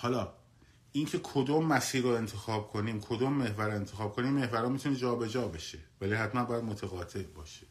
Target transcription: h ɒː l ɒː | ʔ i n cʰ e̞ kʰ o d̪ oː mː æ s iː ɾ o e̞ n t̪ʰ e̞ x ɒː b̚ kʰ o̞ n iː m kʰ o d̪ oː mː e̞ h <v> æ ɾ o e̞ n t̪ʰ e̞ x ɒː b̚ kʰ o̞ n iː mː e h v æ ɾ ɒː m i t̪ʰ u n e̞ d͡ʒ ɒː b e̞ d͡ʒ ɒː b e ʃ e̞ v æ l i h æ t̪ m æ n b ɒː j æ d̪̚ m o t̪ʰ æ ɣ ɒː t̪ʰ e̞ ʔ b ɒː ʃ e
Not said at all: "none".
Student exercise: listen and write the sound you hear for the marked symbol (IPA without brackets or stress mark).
v